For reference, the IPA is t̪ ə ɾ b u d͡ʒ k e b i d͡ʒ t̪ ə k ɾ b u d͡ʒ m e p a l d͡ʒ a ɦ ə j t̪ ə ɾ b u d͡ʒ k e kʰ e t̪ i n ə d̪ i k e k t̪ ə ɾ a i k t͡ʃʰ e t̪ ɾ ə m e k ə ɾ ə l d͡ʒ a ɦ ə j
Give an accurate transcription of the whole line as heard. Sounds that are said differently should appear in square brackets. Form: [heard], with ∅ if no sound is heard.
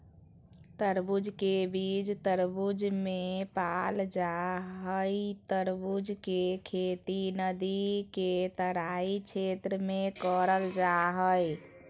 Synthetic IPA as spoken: t̪ ə ɾ b u d͡ʒ k e b i d͡ʒ t̪ ə [∅] ɾ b u d͡ʒ m e p a l d͡ʒ a ɦ ə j t̪ ə ɾ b u d͡ʒ k e kʰ e t̪ i n ə d̪ i k e [∅] t̪ ə ɾ a i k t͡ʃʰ e t̪ ɾ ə m e k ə ɾ ə l d͡ʒ a ɦ ə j